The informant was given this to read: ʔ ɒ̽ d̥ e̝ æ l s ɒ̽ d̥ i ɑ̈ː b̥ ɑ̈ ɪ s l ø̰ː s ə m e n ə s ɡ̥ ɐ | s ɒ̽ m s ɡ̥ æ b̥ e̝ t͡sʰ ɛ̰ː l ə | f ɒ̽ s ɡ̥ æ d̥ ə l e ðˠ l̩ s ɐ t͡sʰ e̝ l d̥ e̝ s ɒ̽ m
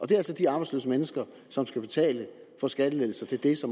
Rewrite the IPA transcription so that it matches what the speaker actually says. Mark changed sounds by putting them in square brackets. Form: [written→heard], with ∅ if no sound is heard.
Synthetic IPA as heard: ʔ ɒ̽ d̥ e̝ æ l s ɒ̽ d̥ i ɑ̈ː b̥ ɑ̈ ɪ s l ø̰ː s ə m e n ə s ɡ̥ ɐ | s ɒ̽ m s ɡ̥ æ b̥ e̝ t͡sʰ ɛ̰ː l ə | f ɒ̽ s ɡ̥ æ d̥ ə l e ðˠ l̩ s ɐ t͡sʰ e̝ l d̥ e̝ s ɒ̽ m